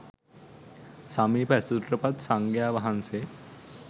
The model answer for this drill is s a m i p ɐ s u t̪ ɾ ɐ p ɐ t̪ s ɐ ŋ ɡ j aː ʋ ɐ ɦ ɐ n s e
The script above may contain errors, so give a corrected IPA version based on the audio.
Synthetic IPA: s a m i p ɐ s u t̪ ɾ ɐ p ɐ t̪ s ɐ ŋ ɡ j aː ʋ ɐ ɦ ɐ n s e